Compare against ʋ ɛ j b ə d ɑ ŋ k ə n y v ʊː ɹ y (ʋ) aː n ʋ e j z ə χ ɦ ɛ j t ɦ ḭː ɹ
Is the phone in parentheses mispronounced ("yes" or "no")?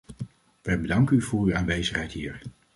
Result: yes